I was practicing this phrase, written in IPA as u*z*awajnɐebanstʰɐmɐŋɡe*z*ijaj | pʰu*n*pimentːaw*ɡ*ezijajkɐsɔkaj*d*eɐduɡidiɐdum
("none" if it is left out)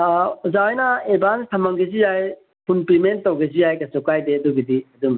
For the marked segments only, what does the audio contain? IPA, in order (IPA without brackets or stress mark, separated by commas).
z, z, n, ɡ, d